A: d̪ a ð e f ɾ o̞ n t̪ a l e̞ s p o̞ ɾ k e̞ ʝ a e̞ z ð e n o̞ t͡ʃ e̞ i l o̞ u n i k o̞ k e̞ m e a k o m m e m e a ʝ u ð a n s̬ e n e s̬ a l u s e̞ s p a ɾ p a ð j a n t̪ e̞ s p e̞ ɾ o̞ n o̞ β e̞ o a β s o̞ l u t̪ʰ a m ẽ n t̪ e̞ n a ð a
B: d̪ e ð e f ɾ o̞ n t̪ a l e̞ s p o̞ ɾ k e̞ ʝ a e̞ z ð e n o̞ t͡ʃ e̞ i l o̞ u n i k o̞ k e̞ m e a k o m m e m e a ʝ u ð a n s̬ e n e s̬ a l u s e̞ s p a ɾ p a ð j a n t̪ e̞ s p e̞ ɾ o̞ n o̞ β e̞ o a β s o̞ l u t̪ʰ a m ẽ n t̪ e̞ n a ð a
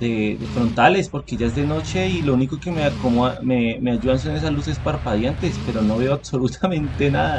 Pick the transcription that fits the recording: B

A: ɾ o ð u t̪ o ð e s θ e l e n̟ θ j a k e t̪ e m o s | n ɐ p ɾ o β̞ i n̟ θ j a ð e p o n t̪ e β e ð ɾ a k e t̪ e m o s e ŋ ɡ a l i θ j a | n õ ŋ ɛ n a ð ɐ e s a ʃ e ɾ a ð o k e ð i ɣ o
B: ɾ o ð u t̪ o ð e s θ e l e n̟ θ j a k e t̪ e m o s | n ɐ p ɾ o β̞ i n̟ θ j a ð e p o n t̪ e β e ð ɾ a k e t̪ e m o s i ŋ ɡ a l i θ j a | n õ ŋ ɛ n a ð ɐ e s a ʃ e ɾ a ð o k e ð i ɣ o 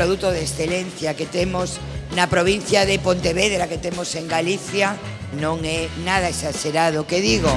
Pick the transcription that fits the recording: A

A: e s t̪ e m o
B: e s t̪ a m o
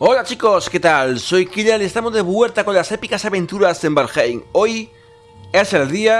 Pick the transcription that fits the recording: B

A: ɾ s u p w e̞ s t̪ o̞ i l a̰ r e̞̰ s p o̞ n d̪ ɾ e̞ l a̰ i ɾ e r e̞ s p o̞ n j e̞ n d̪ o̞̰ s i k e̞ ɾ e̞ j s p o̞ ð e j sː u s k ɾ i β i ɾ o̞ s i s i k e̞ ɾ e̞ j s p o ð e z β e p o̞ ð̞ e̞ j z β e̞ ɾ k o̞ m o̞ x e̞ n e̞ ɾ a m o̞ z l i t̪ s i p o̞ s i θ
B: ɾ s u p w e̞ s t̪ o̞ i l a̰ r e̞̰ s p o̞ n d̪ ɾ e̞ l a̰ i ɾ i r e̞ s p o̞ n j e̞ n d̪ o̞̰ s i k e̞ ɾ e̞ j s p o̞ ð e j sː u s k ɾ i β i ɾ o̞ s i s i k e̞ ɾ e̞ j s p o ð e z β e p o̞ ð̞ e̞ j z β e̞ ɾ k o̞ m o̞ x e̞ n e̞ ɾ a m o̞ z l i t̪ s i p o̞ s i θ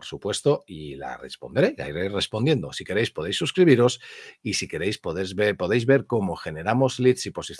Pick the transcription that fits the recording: A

